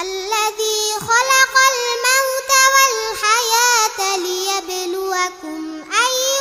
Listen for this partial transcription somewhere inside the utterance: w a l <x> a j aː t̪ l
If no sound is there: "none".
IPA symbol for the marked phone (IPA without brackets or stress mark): ħ